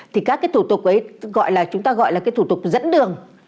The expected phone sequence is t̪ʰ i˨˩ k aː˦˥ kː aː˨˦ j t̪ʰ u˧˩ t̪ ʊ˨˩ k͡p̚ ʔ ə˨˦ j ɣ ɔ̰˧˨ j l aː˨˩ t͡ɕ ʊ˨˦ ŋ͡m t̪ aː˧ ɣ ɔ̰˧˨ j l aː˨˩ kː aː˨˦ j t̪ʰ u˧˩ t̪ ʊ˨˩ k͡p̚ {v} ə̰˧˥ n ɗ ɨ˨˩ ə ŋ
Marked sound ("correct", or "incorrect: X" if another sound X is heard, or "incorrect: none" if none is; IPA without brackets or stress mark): incorrect: z